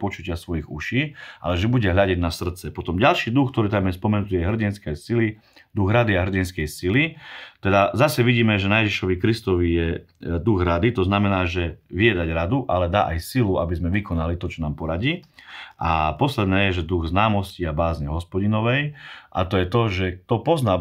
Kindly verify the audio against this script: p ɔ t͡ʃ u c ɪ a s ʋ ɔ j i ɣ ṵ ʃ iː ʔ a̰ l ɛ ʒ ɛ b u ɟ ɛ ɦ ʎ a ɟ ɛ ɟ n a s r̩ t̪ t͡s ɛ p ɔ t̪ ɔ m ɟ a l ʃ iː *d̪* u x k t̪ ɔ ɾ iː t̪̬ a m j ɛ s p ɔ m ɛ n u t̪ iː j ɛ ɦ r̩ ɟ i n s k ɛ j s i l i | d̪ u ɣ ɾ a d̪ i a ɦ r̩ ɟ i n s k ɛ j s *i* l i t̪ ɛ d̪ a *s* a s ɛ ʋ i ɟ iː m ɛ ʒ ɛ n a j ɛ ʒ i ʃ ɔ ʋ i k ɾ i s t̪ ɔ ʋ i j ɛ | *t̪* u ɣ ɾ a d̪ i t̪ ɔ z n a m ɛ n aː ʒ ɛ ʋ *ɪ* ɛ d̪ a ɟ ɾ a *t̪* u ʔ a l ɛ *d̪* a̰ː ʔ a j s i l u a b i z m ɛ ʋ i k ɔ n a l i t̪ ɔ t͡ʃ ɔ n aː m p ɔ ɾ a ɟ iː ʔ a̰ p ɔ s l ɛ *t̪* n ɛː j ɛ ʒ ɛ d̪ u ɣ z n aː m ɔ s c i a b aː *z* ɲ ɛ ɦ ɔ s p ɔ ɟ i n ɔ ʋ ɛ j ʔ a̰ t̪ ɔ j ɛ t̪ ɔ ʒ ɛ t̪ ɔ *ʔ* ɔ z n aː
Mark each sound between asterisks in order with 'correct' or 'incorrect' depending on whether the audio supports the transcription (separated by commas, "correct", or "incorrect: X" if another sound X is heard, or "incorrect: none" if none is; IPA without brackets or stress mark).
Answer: correct, correct, incorrect: z, incorrect: d̪, incorrect: i, incorrect: d̪, correct, incorrect: d̪, correct, incorrect: p